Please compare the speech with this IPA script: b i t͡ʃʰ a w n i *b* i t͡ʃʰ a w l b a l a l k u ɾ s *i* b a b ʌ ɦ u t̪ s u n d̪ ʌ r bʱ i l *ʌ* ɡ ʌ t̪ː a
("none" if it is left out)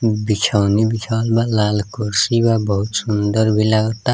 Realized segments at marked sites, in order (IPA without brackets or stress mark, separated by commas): b, i, a